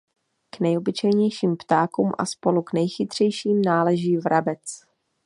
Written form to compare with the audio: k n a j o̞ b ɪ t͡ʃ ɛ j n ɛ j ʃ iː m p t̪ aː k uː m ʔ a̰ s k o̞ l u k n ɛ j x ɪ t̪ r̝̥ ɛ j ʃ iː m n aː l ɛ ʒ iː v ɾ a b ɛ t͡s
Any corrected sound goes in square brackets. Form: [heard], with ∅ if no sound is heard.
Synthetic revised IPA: k n [ɛ] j o̞ b ɪ t͡ʃ ɛ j [ɲ] ɛ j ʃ iː m p t̪ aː k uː m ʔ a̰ s [p] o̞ l u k n ɛ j x ɪ t̪ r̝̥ ɛ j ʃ iː m n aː l ɛ ʒ iː v ɾ a b ɛ t͡s